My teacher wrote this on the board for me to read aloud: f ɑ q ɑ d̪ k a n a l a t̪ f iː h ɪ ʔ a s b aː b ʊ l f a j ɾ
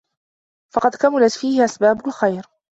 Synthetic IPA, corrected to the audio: f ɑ q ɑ d̪ k a m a l a t̪ f iː h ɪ ʔ a s b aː b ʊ l x a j ɾ